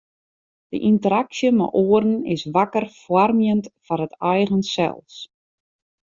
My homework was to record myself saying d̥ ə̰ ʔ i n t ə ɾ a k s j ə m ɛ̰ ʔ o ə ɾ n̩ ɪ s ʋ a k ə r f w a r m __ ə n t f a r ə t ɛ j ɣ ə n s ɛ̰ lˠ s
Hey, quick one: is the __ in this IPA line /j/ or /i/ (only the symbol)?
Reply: j